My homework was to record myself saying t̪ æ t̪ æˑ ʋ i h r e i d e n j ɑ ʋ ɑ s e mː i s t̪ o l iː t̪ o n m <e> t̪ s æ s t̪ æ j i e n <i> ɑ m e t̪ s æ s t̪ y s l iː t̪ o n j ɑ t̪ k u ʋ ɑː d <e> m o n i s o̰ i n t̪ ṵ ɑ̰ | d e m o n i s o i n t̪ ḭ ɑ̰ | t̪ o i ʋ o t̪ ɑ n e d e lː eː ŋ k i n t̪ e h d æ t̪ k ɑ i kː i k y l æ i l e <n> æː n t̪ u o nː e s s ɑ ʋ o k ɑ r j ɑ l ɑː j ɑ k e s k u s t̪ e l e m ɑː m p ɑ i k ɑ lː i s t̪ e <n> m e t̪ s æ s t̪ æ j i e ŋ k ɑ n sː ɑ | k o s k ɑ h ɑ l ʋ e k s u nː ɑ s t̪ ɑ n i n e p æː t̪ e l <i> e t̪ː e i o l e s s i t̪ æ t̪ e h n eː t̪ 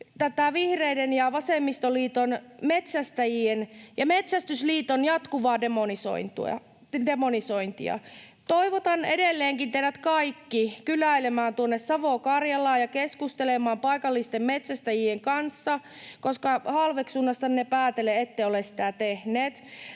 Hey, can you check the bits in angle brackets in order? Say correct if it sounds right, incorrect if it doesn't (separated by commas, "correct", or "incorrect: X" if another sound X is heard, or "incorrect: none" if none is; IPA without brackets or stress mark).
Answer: correct, incorrect: j, correct, incorrect: m, incorrect: m, incorrect: e